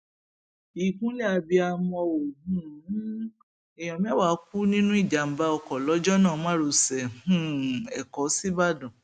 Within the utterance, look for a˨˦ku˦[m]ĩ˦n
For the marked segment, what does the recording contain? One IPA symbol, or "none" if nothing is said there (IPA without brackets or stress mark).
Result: n